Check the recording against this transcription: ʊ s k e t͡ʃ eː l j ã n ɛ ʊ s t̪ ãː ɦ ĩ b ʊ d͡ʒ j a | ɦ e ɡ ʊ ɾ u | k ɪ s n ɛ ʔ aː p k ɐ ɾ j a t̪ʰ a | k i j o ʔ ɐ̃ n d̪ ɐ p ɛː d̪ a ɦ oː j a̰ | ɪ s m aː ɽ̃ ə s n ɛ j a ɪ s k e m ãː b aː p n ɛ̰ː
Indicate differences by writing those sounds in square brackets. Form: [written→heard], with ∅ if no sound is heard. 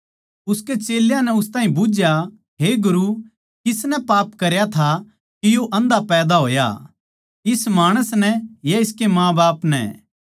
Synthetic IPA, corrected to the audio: ʊ s k e t͡ʃ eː l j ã n ɛ ʊ s t̪ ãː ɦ ĩ b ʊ d͡ʒ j a | ɦ e ɡ ʊ ɾ u | k ɪ s n ɛ [ʔ→p] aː p k ɐ ɾ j a t̪ʰ a | k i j o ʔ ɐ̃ n d̪ [ɐ→a] p ɛː d̪ a ɦ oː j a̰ | ɪ s m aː ɽ̃ ə s n ɛ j a ɪ s k e m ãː b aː p n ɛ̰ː